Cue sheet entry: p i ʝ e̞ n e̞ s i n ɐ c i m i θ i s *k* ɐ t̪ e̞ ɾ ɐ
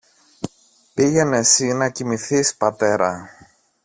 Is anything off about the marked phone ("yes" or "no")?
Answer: yes